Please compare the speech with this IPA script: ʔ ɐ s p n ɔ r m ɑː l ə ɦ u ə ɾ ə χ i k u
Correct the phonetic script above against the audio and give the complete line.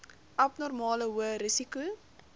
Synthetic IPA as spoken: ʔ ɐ p n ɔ r m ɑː l ə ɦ u ə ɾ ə s i k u